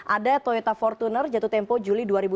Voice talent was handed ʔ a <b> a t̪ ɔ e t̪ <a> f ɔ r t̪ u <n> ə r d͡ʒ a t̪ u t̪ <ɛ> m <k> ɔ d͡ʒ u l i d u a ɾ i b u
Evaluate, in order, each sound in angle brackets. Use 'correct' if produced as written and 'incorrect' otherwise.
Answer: incorrect, correct, correct, correct, incorrect

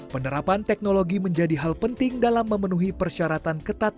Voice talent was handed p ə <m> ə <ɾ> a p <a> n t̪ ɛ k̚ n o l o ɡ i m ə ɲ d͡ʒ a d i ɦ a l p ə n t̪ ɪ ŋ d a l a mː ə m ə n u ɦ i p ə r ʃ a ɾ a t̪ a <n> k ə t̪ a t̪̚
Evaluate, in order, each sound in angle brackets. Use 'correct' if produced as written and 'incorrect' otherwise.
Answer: incorrect, correct, correct, correct

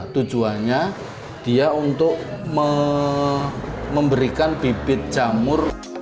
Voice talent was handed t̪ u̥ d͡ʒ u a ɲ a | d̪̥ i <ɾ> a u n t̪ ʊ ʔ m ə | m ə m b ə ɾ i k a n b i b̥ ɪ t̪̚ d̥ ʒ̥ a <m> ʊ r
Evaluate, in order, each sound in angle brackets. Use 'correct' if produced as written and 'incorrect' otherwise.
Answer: incorrect, correct

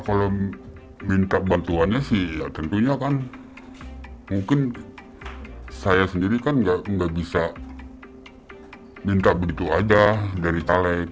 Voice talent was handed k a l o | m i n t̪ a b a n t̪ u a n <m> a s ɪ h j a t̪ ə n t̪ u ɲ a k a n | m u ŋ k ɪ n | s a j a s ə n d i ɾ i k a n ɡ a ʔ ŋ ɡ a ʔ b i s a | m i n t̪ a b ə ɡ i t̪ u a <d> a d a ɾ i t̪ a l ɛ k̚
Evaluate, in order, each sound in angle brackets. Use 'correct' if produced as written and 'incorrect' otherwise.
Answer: incorrect, incorrect

